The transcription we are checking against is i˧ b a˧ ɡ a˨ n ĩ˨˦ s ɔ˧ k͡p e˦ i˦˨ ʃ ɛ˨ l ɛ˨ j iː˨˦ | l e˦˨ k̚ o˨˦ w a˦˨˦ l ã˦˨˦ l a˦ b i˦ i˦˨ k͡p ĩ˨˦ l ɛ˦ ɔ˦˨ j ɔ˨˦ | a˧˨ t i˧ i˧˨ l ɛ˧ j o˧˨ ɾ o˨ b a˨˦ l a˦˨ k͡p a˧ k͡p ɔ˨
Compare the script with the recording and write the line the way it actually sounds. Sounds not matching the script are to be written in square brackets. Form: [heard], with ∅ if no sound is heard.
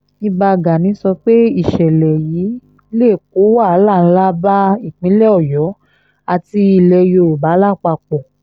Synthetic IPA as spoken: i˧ b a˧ ɡ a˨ n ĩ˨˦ s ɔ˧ k͡p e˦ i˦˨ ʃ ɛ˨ l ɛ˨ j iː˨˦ | l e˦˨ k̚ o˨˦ w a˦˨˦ l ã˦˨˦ l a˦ b [a˦] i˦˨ k͡p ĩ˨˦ l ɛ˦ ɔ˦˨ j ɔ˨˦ | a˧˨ t i˧ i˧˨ l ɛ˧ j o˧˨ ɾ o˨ b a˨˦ l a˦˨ k͡p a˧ k͡p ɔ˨